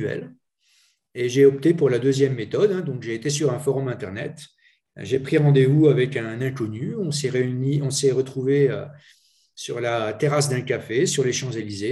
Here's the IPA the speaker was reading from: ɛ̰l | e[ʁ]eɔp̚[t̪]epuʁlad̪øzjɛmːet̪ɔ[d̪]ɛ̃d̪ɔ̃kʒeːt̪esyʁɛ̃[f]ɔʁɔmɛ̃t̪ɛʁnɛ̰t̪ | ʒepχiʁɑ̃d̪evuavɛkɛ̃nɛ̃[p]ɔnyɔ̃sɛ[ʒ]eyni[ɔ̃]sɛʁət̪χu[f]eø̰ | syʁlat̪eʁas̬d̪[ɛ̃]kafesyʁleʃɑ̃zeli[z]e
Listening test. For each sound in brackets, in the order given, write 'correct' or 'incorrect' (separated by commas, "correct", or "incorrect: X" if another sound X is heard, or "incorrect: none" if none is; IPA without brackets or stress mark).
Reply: incorrect: ʒ, correct, correct, correct, incorrect: k, incorrect: ʁ, correct, incorrect: v, correct, correct